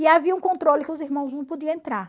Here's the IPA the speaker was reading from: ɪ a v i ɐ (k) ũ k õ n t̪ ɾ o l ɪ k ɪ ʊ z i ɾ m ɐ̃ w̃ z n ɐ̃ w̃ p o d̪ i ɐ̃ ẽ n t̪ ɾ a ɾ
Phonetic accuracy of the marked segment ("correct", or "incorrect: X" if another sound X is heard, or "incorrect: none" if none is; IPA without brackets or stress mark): incorrect: none